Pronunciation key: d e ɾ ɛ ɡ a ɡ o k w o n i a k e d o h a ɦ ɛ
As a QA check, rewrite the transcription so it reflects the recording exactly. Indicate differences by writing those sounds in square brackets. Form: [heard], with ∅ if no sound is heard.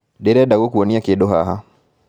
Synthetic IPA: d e ɾ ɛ [d] a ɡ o k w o n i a k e d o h a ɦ [a]